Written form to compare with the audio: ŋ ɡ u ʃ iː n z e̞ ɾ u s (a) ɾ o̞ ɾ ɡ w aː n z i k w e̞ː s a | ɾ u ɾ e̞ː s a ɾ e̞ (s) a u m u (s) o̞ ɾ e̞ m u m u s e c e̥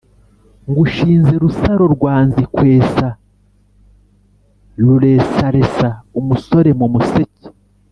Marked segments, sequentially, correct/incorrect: correct, correct, correct

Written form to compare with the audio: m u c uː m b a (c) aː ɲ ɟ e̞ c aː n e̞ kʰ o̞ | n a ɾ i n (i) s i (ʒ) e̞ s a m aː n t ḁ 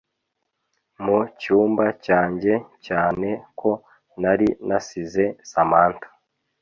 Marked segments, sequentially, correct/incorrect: correct, incorrect, incorrect

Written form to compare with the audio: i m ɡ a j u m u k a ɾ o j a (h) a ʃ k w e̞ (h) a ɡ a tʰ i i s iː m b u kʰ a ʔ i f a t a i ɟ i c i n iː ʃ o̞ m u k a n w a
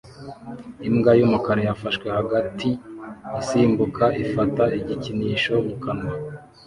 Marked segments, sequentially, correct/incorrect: incorrect, correct

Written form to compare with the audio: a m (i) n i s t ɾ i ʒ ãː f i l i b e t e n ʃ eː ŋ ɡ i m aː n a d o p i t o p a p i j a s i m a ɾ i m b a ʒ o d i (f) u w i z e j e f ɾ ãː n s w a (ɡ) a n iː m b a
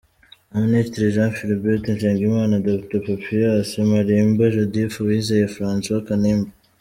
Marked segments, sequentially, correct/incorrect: correct, correct, incorrect

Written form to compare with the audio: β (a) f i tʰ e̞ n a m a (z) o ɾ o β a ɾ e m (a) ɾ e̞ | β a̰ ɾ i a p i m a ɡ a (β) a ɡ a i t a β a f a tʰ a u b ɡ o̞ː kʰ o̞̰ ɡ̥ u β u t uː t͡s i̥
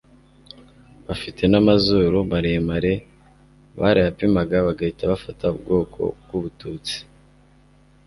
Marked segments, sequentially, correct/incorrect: correct, correct, correct, correct

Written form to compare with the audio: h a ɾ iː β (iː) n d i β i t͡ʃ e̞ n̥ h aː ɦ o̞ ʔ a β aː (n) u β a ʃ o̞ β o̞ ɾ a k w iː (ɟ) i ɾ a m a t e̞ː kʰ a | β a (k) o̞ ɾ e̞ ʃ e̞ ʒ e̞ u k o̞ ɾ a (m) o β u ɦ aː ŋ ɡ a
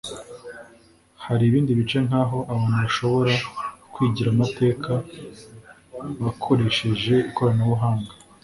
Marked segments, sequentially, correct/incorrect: correct, correct, correct, incorrect, incorrect

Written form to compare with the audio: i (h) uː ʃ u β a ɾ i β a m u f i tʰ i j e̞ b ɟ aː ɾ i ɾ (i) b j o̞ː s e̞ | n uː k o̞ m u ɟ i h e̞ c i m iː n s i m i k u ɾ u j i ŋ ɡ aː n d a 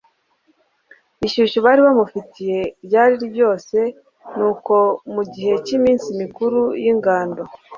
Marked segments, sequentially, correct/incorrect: incorrect, correct

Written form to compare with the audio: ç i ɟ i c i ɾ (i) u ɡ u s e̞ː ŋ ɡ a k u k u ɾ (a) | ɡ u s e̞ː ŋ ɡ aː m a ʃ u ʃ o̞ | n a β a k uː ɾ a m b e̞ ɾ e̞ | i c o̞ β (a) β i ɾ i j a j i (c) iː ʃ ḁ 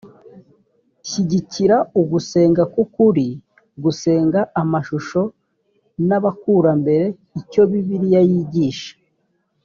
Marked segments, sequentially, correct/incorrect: incorrect, incorrect, incorrect, incorrect

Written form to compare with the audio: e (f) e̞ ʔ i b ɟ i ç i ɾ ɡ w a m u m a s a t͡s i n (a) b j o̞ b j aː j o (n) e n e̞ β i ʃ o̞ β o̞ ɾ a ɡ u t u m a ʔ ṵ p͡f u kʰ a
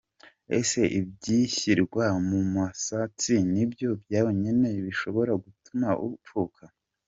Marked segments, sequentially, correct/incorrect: incorrect, incorrect, incorrect

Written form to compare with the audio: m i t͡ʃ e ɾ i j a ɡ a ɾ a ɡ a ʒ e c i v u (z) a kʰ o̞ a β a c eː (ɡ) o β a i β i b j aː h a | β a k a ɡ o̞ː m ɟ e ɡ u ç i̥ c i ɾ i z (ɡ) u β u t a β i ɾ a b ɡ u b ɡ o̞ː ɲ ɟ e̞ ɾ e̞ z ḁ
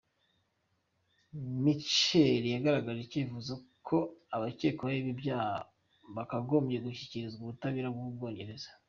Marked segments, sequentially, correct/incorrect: correct, incorrect, correct

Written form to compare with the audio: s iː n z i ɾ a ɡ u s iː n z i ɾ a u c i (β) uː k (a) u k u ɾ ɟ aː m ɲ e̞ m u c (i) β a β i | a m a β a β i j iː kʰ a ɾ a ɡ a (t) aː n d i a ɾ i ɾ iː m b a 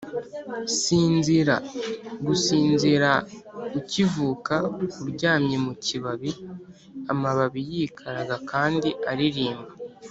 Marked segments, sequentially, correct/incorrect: incorrect, correct, correct, incorrect

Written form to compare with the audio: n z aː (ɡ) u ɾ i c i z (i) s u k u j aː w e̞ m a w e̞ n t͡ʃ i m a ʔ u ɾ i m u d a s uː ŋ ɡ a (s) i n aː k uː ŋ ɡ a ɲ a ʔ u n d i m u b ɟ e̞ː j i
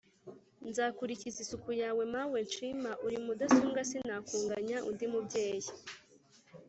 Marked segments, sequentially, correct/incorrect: incorrect, correct, correct

